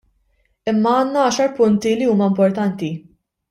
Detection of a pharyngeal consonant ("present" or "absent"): absent